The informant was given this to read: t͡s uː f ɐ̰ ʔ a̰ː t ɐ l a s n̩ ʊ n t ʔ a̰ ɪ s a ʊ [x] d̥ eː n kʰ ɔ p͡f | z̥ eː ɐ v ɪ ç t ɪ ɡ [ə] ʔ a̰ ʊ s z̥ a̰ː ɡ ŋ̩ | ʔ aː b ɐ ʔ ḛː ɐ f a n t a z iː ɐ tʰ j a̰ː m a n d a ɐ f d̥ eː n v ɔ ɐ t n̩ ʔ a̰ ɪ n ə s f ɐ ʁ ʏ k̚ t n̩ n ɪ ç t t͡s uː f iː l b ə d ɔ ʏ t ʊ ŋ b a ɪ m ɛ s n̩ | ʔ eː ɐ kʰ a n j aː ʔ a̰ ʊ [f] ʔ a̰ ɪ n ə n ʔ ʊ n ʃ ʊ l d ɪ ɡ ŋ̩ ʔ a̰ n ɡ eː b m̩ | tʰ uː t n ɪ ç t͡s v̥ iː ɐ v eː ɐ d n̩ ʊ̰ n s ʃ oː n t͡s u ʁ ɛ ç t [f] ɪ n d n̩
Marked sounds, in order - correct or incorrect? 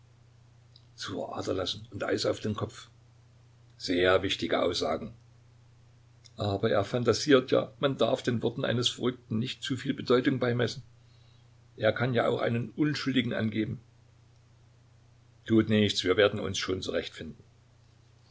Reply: incorrect: f, correct, incorrect: x, correct

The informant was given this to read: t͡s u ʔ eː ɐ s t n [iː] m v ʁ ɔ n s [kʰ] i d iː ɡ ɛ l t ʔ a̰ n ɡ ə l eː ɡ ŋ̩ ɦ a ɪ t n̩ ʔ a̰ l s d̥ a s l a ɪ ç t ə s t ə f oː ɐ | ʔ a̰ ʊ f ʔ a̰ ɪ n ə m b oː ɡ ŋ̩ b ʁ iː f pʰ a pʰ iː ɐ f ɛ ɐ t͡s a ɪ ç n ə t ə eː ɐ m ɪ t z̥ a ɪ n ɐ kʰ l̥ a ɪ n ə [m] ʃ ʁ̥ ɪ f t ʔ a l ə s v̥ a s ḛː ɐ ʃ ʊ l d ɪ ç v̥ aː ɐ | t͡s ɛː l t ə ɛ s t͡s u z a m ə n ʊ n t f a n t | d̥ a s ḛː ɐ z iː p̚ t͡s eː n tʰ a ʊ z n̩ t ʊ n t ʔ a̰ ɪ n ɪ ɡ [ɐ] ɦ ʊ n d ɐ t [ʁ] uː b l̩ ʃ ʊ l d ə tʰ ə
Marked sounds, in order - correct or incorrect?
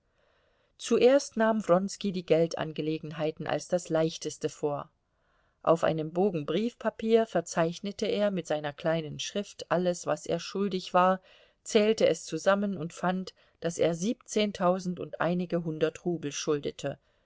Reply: incorrect: aː, incorrect: k, incorrect: n, incorrect: ə, correct

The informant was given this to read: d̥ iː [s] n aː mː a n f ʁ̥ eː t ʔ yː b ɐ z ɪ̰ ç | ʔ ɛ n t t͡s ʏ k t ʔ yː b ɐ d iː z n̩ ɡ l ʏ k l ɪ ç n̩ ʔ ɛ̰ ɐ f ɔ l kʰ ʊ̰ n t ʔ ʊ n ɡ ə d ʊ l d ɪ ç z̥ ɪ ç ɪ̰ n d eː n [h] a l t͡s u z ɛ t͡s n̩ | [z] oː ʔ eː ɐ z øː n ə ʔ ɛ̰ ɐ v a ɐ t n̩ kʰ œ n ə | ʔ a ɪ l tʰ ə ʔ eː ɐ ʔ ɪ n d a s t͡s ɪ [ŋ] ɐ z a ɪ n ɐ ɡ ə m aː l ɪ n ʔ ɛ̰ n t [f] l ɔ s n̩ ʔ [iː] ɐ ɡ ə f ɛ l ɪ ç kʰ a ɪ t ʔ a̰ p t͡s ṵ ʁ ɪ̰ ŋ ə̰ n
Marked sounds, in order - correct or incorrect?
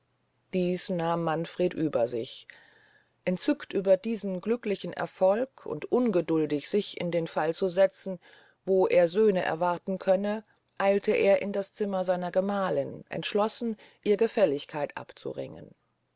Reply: correct, incorrect: f, incorrect: v, incorrect: m, incorrect: ʃ, correct

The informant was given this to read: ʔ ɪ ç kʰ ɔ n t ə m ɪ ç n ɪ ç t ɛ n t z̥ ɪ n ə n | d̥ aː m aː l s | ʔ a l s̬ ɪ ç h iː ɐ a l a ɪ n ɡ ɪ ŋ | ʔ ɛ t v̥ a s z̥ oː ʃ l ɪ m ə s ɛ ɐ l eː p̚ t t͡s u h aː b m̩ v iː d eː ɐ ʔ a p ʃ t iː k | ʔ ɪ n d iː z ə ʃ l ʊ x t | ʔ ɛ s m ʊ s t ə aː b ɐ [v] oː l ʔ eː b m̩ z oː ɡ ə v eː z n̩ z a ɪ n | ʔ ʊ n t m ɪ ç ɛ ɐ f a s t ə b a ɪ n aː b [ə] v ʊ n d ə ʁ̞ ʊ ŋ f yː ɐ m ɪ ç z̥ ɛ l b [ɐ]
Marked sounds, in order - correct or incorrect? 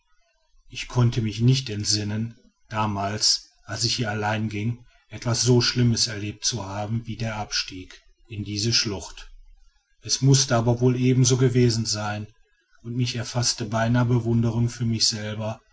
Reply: correct, correct, correct

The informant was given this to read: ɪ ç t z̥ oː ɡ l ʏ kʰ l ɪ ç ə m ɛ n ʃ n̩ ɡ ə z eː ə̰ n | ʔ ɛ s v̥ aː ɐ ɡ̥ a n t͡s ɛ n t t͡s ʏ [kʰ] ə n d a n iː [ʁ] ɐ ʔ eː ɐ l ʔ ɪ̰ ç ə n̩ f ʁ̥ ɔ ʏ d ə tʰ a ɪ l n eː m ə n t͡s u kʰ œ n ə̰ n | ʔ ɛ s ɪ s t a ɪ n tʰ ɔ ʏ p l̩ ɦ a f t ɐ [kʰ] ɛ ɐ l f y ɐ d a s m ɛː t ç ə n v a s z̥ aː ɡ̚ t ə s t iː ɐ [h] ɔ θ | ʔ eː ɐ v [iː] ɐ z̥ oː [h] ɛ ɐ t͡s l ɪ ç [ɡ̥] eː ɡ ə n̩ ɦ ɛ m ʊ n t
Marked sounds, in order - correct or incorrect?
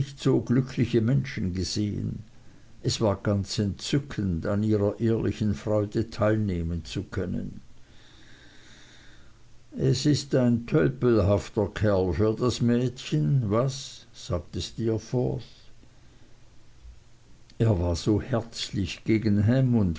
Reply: correct, correct, correct, incorrect: f, incorrect: aː, correct, correct

